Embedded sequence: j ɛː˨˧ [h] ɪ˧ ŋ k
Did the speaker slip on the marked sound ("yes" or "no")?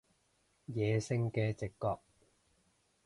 yes